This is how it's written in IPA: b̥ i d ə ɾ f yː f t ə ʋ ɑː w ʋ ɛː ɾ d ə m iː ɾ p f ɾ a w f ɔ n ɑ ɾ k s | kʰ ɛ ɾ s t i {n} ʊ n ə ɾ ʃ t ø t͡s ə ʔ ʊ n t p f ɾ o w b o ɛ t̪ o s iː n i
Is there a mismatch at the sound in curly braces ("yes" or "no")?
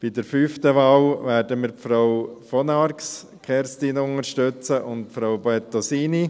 no